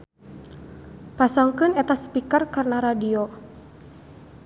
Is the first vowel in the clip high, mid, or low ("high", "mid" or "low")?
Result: low